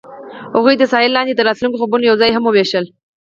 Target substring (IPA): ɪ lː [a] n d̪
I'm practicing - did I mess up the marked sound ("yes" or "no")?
yes